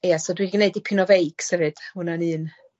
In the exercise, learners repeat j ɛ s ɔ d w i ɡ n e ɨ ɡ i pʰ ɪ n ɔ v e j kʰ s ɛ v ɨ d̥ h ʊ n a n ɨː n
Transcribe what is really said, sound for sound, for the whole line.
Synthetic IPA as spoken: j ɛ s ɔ d w i ɡ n e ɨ d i pʰ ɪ n ɔ v e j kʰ s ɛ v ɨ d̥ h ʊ n a n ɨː n

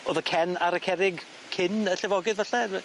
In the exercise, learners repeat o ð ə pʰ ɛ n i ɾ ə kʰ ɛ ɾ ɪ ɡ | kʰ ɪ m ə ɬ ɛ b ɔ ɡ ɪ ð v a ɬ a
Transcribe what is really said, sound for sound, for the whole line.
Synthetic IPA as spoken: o ð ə kʰ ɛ n a ɾ ə kʰ ɛ ɾ ɪ ɡ | kʰ ɪ n ə ɬ ɛ v ɔ ɡ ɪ ð v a ɬ ɛ

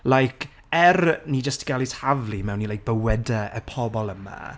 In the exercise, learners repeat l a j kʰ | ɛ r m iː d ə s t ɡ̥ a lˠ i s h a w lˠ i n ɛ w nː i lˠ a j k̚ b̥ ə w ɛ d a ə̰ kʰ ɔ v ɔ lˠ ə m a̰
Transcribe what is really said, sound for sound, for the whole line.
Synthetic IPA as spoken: l a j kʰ | ɛ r n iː d͡ʒ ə s t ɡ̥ a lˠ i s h a v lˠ i m ɛ w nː i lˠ a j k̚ b̥ ə w ɛ d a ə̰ pʰ ɔ b ɔ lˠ ə m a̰

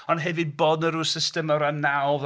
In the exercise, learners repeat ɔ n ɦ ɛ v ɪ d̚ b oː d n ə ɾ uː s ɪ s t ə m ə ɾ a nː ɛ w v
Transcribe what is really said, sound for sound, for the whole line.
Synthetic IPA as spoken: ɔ n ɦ ɛ v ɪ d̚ b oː d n ə ɾ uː s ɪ s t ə m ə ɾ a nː a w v

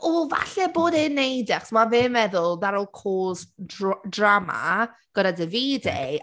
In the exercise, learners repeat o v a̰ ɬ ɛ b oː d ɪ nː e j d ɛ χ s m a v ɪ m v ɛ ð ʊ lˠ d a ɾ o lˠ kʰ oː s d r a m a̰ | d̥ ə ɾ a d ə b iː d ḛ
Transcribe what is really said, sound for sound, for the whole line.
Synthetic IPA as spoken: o v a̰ ɬ ɛ b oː d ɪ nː e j d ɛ χ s m a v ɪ m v ɛ ð ʊ lˠ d a ɾ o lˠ kʰ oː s d r a m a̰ | ɡ̥ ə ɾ a d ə v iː d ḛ

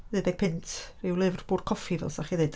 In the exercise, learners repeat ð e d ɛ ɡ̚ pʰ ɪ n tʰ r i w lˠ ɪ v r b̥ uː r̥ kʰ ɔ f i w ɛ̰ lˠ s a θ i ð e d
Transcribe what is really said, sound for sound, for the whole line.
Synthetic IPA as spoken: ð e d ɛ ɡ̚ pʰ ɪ n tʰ r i w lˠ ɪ v r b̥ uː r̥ kʰ ɔ f i v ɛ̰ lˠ s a χ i ð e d

